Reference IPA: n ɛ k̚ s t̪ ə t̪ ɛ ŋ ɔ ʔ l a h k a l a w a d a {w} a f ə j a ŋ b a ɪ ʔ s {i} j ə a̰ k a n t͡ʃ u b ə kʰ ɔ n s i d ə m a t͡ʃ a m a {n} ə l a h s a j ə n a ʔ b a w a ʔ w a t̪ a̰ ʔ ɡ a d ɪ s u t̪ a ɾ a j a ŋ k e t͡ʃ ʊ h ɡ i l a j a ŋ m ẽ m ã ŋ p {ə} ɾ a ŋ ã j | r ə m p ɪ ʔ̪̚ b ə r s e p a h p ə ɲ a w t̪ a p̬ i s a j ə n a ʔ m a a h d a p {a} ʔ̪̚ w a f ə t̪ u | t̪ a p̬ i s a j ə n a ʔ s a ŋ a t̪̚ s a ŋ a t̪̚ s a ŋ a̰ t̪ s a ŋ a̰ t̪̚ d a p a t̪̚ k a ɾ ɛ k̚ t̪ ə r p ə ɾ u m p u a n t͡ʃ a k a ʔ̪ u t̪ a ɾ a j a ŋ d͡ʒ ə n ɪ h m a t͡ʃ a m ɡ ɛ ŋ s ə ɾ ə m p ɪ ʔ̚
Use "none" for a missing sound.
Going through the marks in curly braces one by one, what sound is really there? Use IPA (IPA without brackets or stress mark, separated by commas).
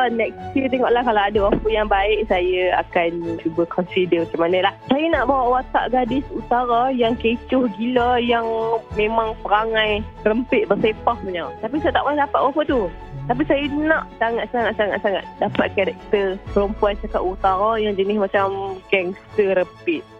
w, a, n, ə, a